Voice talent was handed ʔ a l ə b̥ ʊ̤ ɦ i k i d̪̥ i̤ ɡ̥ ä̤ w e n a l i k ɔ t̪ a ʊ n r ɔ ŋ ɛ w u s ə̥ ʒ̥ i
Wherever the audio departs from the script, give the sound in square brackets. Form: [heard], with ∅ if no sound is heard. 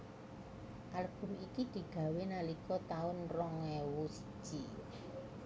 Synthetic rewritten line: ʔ a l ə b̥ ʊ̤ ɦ i k i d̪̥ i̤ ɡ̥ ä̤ w e n a l i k ɔ t̪ a ʊ n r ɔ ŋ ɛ w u s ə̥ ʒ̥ i